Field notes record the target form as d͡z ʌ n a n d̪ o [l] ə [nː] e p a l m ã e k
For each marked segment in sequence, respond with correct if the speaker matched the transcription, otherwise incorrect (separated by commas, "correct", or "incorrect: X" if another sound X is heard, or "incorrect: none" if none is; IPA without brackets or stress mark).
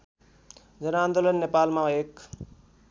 correct, correct